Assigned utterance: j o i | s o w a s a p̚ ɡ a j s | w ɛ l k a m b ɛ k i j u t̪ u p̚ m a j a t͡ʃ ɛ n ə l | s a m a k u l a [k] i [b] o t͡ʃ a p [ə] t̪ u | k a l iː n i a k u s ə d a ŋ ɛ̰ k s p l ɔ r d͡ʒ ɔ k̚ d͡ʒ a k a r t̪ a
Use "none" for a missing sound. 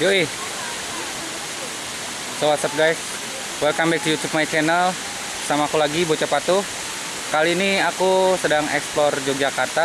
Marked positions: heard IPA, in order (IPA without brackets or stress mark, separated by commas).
ɡ, b, a